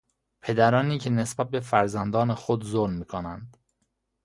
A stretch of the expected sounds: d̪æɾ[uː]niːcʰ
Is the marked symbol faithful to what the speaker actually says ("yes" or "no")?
no